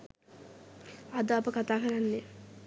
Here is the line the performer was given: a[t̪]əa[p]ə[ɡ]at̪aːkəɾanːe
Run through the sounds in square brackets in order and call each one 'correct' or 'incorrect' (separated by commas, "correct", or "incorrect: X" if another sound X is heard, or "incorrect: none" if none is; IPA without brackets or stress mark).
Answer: incorrect: d̪, correct, incorrect: k